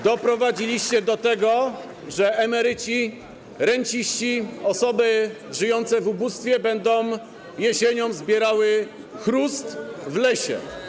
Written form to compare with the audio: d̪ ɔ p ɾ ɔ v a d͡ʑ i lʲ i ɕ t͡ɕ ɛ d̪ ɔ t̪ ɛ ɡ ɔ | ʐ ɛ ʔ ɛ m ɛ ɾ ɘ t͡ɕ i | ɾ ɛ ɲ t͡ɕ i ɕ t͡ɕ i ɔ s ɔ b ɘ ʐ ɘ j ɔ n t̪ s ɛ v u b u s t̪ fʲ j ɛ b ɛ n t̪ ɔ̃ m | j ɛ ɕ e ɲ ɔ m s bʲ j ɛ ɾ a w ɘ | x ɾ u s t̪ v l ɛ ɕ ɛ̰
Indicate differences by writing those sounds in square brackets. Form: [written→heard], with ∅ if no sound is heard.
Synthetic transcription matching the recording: d̪ ɔ p ɾ ɔ v a d͡ʑ i lʲ i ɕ t͡ɕ ɛ d̪ ɔ t̪ ɛ ɡ ɔ | ʐ ɛ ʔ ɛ m ɛ ɾ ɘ t͡ɕ i | ɾ ɛ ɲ t͡ɕ i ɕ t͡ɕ i ɔ s ɔ b ɘ ʐ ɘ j ɔ n t̪ s ɛ v u b u s t̪ fʲ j ɛ b ɛ n [t̪→d̪] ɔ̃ m | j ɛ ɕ e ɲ ɔ m [s→z] bʲ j ɛ ɾ a w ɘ | x ɾ u s t̪ v l ɛ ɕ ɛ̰

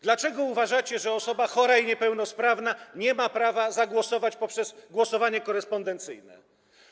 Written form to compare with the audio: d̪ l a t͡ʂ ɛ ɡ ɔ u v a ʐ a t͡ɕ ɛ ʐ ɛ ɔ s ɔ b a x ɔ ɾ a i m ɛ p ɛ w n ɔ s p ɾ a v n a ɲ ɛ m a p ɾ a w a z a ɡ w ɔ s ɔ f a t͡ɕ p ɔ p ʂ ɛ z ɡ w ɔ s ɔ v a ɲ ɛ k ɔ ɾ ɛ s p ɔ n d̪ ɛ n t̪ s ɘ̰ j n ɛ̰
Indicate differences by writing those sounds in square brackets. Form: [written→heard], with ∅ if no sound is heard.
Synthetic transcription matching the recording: d̪ l a t͡ʂ ɛ ɡ ɔ u v a ʐ a t͡ɕ ɛ ʐ ɛ ɔ s ɔ b a x ɔ ɾ a i [m→ɲ] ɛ p ɛ w n ɔ s p ɾ a v n a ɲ ɛ m a p ɾ a [w→v] a z a ɡ w ɔ s ɔ [f→v] a t͡ɕ p ɔ p ʂ ɛ z ɡ w ɔ s ɔ v a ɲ ɛ k ɔ ɾ ɛ s p ɔ n d̪ ɛ n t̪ s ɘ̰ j n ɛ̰

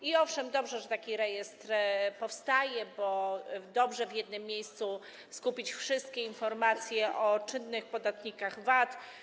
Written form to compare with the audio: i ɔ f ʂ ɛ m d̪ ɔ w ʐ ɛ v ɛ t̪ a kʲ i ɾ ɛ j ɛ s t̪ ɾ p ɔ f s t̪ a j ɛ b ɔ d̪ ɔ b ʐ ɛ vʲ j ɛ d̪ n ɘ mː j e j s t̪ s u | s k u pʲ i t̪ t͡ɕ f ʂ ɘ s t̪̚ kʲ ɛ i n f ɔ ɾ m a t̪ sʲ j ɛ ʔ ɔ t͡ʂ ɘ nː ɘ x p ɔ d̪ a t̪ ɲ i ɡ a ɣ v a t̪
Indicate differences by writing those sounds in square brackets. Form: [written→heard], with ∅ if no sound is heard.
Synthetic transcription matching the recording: i ɔ f ʂ ɛ m d̪ ɔ [w→b] ʐ ɛ [v→ʐ] ɛ t̪ a kʲ i ɾ ɛ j ɛ s t̪ ɾ p ɔ f s t̪ a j ɛ b ɔ d̪ ɔ b ʐ ɛ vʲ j ɛ d̪ n ɘ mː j e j s t̪ s u | s k u pʲ i [t̪→∅] t͡ɕ f ʂ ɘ s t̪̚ kʲ ɛ i n f ɔ ɾ m a t̪ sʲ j ɛ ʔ ɔ t͡ʂ ɘ nː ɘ x p ɔ d̪ a t̪ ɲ i [ɡ→k] a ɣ v a t̪

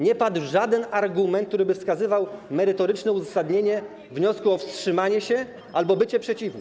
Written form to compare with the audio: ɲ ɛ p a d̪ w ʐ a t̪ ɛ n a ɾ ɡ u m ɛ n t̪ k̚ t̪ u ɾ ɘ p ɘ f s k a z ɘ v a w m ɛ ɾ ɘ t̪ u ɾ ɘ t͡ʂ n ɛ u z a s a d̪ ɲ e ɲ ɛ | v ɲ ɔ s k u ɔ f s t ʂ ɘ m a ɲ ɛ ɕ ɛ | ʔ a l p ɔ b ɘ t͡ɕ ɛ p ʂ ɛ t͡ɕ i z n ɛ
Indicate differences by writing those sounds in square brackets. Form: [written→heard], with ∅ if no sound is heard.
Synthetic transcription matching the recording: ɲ ɛ p a d̪ w ʐ a [t̪→d̪] ɛ n a ɾ ɡ u m ɛ n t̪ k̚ t̪ u ɾ ɘ [p→b] ɘ f s k a z ɘ v a w m ɛ ɾ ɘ t̪ [u→ɔ] ɾ ɘ t͡ʂ n ɛ u z a s a d̪ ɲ e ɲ ɛ | v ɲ ɔ s k u ɔ f s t ʂ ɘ m a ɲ ɛ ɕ ɛ | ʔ a l [p→b] ɔ b ɘ t͡ɕ ɛ p ʂ ɛ t͡ɕ i [z→v] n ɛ

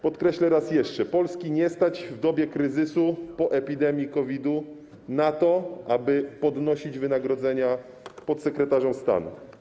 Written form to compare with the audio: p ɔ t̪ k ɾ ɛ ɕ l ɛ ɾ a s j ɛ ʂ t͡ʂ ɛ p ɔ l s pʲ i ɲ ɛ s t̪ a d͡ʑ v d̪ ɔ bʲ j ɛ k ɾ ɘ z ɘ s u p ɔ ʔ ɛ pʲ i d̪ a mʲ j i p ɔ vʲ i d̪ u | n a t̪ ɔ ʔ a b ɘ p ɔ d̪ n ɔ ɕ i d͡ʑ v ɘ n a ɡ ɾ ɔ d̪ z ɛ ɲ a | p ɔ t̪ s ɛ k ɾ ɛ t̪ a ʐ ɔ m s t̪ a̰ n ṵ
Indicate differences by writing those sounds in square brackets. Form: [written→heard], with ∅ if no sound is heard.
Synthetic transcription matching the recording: p ɔ t̪ k ɾ ɛ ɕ l ɛ ɾ a s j ɛ ʂ t͡ʂ ɛ p ɔ l s [pʲ→kʲ] i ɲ ɛ s t̪ a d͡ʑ v d̪ ɔ bʲ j ɛ k ɾ ɘ z ɘ s u p ɔ ʔ ɛ pʲ i d̪ [a→ɛ] mʲ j i [p→k] ɔ vʲ i d̪ u | n a t̪ ɔ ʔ a b ɘ p ɔ d̪ n ɔ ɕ i d͡ʑ v ɘ n a ɡ ɾ ɔ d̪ z ɛ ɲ a | p ɔ t̪ s ɛ k ɾ ɛ t̪ a ʐ ɔ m s t̪ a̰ n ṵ

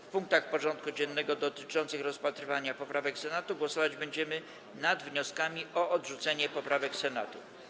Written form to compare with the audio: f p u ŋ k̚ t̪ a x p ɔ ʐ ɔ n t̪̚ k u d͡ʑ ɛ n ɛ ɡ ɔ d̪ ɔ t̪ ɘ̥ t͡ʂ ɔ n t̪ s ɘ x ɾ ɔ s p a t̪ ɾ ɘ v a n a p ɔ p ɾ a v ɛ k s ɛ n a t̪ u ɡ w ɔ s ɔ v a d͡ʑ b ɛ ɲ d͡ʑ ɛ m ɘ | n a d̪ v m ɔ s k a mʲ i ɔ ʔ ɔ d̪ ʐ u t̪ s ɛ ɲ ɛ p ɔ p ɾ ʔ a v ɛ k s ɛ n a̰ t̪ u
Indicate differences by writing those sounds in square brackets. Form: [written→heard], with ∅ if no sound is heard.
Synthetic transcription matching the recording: f p u ŋ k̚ t̪ a x p ɔ ʐ ɔ n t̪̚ k u d͡ʑ ɛ [n→nː] ɛ ɡ ɔ d̪ ɔ t̪ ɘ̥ t͡ʂ ɔ n t̪ s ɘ x ɾ ɔ s p a t̪ ɾ ɘ v a [n→ɲ] a p ɔ p ɾ a v ɛ k s ɛ n a t̪ u ɡ w ɔ s ɔ v a d͡ʑ b ɛ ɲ d͡ʑ ɛ m ɘ | n a d̪ v [m→ɲ] ɔ s k a mʲ i ɔ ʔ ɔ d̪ ʐ u t̪ s ɛ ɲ ɛ p ɔ p ɾ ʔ a v ɛ k s ɛ n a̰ t̪ u

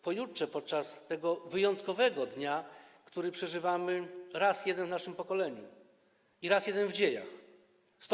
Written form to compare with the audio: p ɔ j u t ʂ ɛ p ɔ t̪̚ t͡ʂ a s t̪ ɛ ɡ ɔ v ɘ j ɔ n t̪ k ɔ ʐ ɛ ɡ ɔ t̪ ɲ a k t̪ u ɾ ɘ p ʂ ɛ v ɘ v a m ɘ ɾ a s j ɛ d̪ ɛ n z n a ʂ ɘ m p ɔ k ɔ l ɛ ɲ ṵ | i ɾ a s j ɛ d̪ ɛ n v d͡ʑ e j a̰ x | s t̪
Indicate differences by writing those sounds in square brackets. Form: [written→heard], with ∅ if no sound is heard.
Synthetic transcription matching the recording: p ɔ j u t ʂ ɛ p ɔ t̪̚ t͡ʂ a s t̪ ɛ ɡ ɔ v ɘ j ɔ n t̪ k ɔ [ʐ→v] ɛ ɡ ɔ [t̪→d̪] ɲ a k t̪ u ɾ ɘ p ʂ ɛ [v→ʐ] ɘ v a m ɘ ɾ a s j ɛ d̪ ɛ n [z→v] n a ʂ ɘ m p ɔ k ɔ l ɛ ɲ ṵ | i ɾ a s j ɛ d̪ ɛ n v d͡ʑ e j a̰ x | s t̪

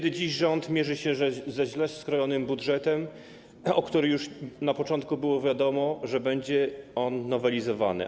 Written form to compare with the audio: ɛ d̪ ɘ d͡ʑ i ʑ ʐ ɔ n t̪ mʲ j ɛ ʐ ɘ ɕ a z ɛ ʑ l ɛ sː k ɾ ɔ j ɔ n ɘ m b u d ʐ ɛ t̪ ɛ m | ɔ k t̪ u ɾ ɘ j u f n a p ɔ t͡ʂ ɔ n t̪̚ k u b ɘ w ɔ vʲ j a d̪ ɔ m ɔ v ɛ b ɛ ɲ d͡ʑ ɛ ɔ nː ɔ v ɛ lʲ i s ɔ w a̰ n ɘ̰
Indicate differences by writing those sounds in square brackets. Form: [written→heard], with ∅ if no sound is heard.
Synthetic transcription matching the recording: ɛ d̪ ɘ d͡ʑ i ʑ ʐ ɔ n t̪ mʲ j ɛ ʐ ɘ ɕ [a→ɛ] z ɛ ʑ l ɛ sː k ɾ ɔ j ɔ n ɘ m b u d ʐ ɛ t̪ ɛ m | ɔ k t̪ u ɾ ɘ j u [f→ʂ] n a p ɔ t͡ʂ ɔ n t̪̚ k u b ɘ w ɔ vʲ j a d̪ ɔ m ɔ [v→ʐ] ɛ b ɛ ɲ d͡ʑ ɛ ɔ nː ɔ v ɛ lʲ i [s→z] ɔ [w→v] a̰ n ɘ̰

